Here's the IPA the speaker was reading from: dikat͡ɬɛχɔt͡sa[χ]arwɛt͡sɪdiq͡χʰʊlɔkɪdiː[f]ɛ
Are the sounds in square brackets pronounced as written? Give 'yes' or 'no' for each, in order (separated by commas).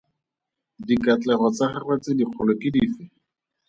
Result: yes, yes